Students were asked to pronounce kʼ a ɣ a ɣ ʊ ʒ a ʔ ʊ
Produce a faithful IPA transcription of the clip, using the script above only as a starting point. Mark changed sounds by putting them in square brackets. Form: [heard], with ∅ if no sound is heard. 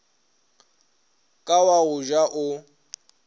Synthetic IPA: kʼ a [w] a ɣ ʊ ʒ a ʔ ʊ